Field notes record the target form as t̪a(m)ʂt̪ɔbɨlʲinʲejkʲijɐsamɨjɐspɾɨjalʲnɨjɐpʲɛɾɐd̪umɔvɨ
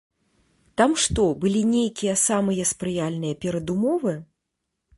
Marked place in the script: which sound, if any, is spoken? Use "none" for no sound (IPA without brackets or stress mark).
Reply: m